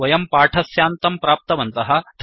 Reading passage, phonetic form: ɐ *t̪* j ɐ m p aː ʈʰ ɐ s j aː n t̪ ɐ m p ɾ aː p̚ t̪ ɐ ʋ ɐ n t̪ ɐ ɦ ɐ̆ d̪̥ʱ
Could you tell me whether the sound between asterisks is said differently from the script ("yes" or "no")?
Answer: yes